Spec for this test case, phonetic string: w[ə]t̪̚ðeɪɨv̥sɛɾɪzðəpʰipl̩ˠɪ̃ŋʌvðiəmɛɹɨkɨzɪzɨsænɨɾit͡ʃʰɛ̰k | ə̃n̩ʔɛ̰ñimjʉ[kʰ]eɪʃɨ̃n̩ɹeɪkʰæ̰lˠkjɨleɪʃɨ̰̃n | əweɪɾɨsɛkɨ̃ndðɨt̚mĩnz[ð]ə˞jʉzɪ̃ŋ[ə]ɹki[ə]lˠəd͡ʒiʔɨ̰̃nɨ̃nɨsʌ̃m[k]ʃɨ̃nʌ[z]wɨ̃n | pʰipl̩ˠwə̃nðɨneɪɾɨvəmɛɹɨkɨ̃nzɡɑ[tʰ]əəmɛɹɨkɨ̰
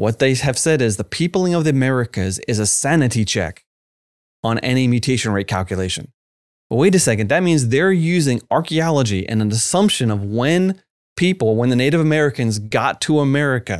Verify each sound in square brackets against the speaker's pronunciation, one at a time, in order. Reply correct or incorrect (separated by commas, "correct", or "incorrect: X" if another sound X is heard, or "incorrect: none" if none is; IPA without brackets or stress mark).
incorrect: ʌ, incorrect: tʰ, correct, incorrect: ɑ, incorrect: ɑ, incorrect: p, incorrect: v, correct